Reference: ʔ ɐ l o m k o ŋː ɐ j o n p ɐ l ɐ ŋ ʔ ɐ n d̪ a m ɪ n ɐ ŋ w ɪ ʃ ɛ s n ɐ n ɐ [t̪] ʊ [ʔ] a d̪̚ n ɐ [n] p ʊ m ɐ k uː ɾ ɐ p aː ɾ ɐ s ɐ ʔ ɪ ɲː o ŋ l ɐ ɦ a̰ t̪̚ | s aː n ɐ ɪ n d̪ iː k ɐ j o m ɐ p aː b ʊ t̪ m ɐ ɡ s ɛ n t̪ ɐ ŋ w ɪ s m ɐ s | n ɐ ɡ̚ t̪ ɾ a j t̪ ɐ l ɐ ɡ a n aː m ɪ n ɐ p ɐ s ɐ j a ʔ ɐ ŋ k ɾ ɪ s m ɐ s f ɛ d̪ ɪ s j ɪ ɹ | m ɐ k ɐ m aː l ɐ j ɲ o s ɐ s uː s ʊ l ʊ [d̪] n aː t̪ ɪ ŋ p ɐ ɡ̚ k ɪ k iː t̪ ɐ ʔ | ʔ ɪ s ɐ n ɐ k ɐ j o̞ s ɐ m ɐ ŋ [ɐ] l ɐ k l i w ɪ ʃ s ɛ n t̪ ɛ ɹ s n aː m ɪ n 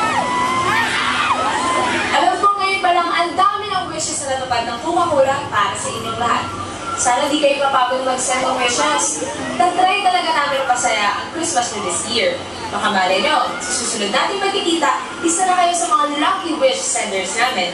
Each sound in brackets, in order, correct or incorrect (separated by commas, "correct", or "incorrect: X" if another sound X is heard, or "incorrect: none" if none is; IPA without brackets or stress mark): correct, incorrect: p, incorrect: ŋ, correct, incorrect: a